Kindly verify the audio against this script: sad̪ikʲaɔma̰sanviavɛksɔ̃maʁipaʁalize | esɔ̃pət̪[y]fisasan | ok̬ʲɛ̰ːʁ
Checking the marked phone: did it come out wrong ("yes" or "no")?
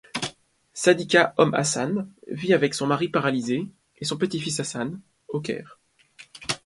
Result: yes